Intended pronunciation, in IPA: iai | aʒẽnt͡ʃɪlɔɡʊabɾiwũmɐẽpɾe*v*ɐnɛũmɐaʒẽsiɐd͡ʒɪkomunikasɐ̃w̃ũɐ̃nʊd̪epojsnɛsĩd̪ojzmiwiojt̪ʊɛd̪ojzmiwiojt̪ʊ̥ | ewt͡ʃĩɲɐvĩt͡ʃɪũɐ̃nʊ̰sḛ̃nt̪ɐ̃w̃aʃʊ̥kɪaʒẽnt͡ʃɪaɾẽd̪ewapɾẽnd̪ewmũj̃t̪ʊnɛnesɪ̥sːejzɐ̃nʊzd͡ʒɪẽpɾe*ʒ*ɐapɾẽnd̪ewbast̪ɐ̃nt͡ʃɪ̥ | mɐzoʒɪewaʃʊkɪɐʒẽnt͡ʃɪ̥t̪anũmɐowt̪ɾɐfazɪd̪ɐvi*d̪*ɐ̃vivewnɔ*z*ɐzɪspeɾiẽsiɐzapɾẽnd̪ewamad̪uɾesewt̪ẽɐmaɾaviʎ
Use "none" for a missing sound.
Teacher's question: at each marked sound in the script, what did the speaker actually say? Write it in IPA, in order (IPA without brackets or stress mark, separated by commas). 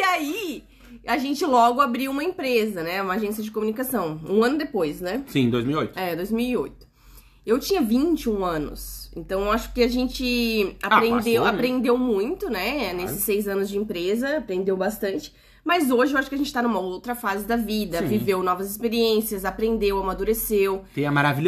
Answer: z, z, d̪, v